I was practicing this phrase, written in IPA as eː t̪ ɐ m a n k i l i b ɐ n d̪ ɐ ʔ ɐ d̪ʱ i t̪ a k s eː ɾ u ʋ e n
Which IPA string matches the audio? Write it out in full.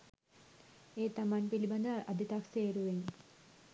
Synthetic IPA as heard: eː t̪ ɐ m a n p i l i b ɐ n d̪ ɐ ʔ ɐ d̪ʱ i t̪ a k s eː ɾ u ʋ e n